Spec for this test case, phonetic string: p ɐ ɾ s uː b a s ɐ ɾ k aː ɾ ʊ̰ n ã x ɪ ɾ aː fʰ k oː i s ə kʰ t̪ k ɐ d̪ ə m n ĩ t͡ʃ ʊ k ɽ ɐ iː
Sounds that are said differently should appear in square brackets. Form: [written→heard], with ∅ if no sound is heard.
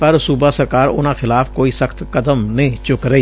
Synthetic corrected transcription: p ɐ ɾ s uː b a s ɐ ɾ k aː ɾ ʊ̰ n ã x ɪ [ɾ→l] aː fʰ k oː i s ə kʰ t̪ k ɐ d̪ ə m n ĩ t͡ʃ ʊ k [ɽ→ɾ] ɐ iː